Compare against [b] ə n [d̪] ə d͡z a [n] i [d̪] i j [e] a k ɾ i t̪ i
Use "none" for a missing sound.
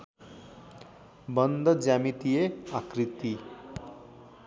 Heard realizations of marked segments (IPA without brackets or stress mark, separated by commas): b, d̪, m, t̪, e